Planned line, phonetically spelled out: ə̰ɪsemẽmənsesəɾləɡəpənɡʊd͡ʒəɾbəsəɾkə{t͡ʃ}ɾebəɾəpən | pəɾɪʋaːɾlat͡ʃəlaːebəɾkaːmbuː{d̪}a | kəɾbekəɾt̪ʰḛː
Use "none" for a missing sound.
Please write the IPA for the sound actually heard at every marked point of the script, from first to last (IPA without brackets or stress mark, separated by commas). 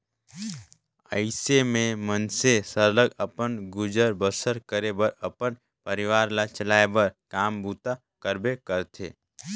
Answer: none, t̪